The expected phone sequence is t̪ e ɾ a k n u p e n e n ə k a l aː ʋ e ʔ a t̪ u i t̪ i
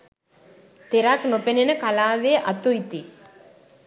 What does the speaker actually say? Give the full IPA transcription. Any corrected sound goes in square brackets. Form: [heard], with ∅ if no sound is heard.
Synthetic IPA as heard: t̪ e ɾ a k n [o] p e n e n ə k a l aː ʋ e ʔ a t̪ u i t̪ i

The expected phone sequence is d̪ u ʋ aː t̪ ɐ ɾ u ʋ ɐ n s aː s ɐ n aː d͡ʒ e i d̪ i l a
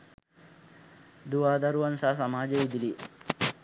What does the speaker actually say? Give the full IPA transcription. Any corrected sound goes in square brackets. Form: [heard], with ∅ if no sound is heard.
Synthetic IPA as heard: d̪ u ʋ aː [d̪] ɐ ɾ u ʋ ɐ n s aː s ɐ [m] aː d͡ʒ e i d̪ i l [i]

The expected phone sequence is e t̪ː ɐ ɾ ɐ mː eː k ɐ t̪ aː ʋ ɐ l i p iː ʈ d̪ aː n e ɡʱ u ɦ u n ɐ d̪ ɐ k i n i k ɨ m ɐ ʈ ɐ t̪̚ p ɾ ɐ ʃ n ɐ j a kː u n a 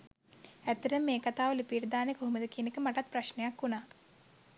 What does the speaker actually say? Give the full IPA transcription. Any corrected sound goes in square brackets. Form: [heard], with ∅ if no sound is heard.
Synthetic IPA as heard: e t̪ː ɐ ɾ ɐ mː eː k ɐ t̪ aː ʋ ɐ l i p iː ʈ d̪ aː n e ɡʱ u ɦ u [m] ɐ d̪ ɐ k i n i k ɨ m ɐ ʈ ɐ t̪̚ p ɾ ɐ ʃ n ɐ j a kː u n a

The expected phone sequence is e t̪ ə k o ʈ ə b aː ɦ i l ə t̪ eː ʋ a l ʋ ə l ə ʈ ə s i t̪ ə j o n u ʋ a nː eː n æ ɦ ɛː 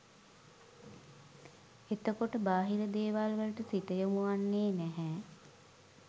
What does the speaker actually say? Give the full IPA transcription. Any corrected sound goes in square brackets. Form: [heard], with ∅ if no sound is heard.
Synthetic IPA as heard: e t̪ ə k o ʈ ə b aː ɦ i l ə [d̪] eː ʋ a l ʋ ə l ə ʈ ə s i t̪ ə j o [m] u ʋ a nː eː n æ ɦ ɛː

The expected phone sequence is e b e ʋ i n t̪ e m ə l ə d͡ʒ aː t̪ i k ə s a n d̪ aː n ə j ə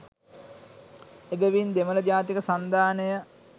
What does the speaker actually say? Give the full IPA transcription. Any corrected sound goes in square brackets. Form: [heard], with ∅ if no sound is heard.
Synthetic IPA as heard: e b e ʋ i n [d̪] e m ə l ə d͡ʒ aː t̪ i k ə s a n d̪ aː n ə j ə

